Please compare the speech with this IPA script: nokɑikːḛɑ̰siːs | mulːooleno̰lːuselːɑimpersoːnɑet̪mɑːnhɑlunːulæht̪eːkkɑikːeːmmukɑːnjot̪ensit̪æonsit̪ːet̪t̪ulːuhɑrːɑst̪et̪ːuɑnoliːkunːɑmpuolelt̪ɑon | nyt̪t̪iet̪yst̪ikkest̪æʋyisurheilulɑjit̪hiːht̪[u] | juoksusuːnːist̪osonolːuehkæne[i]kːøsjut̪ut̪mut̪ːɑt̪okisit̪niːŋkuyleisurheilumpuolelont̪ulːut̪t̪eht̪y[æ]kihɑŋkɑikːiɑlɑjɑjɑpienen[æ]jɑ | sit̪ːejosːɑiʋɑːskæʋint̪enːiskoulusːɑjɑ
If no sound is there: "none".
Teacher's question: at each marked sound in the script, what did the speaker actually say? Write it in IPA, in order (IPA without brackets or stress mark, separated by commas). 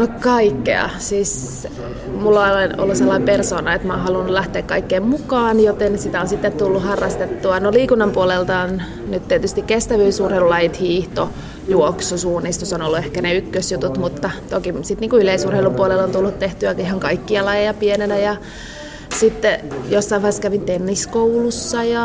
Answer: o, y, æ, æ